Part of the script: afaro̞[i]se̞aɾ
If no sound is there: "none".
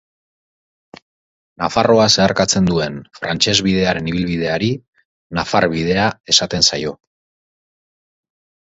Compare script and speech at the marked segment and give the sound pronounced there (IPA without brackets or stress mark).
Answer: a